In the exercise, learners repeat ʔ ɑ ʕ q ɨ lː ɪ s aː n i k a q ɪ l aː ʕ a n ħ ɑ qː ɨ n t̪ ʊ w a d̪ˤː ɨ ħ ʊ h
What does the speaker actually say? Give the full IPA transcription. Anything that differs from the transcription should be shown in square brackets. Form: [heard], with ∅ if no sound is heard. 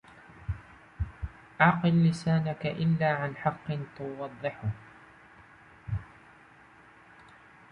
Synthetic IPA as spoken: ʔ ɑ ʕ q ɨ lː ɪ s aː n [a] k a [ʔ] ɪ [lː] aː ʕ a n ħ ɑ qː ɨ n t̪ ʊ w [ɑ] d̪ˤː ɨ ħ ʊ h